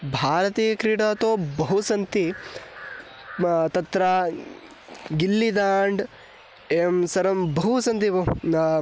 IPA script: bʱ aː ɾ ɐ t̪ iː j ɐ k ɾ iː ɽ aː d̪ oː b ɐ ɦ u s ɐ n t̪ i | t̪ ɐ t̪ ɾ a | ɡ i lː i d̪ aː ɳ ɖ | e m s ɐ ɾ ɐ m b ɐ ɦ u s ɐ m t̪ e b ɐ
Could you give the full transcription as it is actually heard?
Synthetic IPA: bʱ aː ɾ ɐ t̪ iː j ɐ k ɾ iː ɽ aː t̪ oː b ɐ ɦ u s ɐ n t̪ i | t̪ ɐ t̪ ɾ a | ɡ i lː i d̪ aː ɳ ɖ | e m s ɐ ɾ ɐ m b ɐ ɦ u s ɐ n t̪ i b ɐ